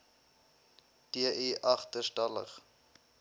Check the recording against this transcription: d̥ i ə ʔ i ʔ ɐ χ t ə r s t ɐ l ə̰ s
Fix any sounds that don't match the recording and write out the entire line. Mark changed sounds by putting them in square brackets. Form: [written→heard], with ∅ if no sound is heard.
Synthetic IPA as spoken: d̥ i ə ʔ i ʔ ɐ χ t ə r s t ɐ l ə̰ [s→χ]